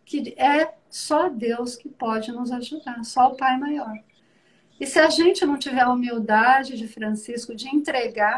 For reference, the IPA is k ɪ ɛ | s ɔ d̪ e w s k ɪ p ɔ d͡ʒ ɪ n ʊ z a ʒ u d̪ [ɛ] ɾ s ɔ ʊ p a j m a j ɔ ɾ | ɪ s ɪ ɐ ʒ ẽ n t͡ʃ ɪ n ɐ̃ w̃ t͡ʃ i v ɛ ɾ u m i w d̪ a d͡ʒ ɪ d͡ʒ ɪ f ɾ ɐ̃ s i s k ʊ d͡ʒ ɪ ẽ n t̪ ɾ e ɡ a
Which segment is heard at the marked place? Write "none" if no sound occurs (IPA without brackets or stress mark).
a